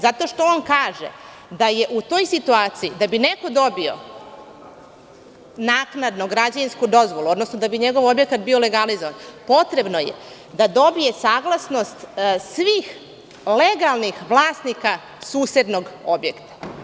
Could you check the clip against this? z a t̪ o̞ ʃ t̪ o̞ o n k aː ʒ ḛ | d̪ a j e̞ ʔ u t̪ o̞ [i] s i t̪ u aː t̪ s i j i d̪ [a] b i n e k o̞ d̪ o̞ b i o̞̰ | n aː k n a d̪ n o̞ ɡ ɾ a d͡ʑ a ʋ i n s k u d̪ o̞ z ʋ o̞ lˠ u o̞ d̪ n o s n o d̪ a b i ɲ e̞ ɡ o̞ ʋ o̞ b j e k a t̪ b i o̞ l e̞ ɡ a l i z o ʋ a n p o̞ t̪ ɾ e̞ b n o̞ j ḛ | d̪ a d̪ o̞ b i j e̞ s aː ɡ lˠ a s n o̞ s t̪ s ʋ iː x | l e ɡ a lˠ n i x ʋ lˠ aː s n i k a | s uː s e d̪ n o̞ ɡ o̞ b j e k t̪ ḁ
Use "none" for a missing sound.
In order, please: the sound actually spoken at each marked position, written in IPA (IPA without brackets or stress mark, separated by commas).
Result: j, a